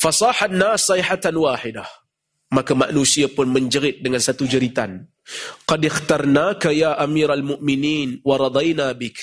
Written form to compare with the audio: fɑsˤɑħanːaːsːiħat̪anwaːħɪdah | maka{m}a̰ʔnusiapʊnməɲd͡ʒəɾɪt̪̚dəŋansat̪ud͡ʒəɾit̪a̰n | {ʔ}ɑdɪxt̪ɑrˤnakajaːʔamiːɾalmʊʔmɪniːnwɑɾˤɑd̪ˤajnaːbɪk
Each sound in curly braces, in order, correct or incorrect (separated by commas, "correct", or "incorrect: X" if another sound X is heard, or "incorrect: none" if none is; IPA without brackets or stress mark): correct, incorrect: q